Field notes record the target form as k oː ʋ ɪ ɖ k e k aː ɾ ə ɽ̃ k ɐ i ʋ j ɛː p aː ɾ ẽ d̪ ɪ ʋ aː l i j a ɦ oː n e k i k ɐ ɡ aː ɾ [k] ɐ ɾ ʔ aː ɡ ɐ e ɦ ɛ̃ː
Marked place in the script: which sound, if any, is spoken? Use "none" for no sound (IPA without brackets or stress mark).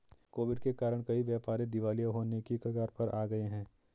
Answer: p